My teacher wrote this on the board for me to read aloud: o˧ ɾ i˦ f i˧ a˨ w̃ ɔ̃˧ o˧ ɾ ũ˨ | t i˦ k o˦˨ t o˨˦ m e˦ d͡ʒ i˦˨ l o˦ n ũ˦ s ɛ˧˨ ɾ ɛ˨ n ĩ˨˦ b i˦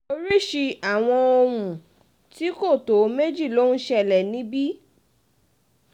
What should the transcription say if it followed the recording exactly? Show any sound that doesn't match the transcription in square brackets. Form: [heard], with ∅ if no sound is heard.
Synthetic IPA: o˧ ɾ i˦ [ʃ] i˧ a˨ w̃ ɔ̃˧ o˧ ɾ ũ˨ | t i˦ k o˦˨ t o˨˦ m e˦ d͡ʒ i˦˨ l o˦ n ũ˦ [ʃ] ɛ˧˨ [l] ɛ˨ n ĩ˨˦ b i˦